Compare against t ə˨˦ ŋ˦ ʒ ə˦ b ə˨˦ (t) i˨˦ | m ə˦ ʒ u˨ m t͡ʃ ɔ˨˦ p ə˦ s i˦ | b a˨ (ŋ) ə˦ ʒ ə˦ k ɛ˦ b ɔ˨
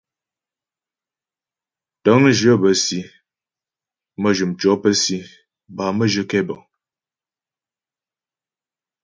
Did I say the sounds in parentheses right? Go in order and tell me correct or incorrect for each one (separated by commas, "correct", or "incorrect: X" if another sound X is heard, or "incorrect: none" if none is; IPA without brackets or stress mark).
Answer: incorrect: s, incorrect: m